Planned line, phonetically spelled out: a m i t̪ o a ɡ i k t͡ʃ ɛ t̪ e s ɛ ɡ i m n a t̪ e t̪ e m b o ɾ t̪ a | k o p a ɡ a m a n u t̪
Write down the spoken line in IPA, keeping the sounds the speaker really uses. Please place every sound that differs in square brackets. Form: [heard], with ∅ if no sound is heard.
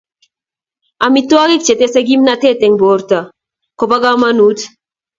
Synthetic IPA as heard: a m i t̪ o a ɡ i k t͡ʃ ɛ t̪ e s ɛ ɡ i m n a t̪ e t̪ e [ŋ] b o ɾ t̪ a | k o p a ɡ a m a n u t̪